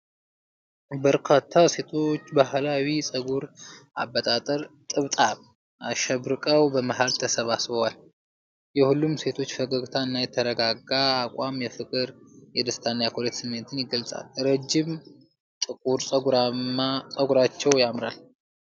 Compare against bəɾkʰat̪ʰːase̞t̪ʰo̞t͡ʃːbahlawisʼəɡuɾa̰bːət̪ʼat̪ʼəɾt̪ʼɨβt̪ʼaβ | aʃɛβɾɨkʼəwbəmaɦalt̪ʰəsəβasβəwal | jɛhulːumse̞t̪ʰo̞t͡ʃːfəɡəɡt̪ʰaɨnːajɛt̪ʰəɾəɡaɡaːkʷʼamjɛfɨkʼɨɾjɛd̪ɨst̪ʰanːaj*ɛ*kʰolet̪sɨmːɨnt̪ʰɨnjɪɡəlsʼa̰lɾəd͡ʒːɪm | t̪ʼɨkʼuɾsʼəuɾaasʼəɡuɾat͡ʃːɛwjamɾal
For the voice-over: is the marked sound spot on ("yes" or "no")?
no